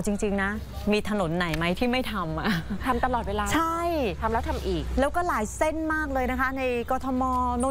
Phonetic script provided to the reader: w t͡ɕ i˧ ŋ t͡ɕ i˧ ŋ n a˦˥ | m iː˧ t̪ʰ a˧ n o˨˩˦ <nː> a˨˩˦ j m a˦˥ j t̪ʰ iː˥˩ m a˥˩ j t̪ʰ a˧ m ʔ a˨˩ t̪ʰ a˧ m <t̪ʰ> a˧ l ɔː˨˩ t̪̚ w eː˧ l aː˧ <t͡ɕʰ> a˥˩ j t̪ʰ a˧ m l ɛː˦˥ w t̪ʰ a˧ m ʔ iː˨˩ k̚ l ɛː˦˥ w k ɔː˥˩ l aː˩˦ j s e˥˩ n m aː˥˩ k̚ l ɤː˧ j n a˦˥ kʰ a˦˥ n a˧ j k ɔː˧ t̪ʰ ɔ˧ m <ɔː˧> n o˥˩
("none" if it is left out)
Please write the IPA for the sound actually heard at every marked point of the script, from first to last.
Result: nː, t̪, t͡ɕʰ, ɔː˧

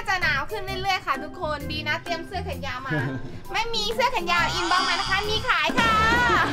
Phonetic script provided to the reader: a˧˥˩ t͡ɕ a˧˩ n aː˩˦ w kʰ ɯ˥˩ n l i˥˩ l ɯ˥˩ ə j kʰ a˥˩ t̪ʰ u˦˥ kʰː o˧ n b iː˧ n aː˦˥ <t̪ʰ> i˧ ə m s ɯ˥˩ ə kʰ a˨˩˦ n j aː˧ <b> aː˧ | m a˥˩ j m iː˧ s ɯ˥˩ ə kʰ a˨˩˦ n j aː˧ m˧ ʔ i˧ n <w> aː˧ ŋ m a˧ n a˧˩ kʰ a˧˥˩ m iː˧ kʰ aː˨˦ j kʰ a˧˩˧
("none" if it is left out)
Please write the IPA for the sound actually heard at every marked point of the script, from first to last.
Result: t̪, m, b

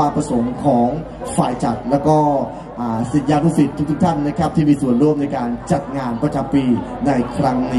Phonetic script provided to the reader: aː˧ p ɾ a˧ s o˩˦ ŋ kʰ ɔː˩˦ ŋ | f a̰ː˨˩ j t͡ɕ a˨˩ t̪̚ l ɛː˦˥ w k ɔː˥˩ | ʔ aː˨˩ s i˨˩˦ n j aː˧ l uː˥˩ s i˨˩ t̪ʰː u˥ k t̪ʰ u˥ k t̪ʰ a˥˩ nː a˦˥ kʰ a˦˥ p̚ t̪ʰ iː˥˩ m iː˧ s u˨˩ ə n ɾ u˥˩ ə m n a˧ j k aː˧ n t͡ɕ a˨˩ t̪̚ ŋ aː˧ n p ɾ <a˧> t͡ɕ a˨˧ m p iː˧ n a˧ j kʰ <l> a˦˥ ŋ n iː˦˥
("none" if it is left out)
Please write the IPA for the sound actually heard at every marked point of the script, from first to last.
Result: a˧, ɾ

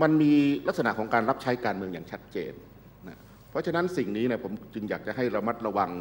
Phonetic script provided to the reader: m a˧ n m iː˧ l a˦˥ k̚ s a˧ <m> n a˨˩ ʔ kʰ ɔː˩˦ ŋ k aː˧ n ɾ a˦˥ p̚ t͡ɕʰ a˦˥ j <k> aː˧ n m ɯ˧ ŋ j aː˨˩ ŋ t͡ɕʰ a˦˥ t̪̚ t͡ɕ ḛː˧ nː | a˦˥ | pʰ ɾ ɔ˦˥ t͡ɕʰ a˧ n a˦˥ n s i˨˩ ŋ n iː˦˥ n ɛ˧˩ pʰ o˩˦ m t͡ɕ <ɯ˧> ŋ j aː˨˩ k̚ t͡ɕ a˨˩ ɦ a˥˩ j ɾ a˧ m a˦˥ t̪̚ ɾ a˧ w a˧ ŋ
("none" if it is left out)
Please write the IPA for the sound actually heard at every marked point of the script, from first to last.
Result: none, k, ɯ˧

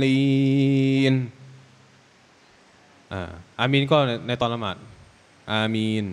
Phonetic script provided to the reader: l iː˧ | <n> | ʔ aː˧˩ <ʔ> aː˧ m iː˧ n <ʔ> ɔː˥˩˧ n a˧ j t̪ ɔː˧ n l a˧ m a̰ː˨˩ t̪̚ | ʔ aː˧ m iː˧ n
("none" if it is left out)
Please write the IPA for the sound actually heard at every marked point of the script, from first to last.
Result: n, ʔ, k

